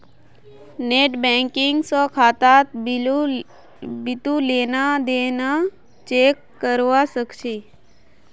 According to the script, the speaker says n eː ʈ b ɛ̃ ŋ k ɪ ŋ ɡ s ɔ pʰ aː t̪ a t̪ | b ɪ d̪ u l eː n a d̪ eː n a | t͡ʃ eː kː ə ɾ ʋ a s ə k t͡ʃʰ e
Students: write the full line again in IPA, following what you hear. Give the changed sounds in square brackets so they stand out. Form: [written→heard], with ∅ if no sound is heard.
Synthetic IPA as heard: n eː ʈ b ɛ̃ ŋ k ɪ ŋ ɡ s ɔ [pʰ→kʰ] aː t̪ a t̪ | b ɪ [d̪→t̪] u l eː n a d̪ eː n a | t͡ʃ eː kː ə ɾ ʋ a s ə k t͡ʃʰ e